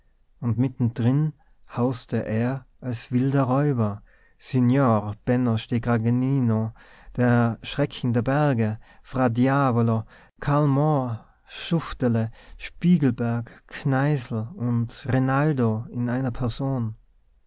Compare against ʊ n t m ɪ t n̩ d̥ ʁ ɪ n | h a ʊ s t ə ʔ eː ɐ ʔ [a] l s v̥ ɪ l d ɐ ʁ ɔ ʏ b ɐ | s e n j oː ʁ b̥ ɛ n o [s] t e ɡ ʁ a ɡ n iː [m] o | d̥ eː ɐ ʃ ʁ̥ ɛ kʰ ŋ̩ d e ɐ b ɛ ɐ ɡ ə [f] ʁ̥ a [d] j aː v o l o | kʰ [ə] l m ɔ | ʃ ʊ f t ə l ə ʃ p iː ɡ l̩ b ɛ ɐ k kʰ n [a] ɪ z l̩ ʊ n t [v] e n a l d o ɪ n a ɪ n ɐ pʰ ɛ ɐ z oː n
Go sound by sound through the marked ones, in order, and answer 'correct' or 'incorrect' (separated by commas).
correct, incorrect, incorrect, correct, correct, incorrect, correct, incorrect